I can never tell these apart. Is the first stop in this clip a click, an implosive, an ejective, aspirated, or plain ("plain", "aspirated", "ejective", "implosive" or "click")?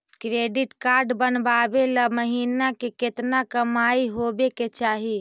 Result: plain